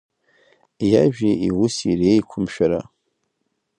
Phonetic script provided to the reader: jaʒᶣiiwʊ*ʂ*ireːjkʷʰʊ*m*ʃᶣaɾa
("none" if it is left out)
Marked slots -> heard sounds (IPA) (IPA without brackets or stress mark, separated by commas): s, m